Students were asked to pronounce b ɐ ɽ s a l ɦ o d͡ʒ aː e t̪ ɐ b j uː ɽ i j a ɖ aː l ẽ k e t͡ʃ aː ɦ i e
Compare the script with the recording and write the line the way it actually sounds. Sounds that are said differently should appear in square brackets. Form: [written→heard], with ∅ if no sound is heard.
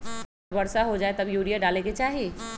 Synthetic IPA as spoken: b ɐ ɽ s a [l→∅] ɦ o d͡ʒ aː e t̪ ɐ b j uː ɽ i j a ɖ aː l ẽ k e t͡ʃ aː ɦ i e